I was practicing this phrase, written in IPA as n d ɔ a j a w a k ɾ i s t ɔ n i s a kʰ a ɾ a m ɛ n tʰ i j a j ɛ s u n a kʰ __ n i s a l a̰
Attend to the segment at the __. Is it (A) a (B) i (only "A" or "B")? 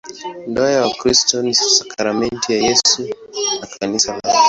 A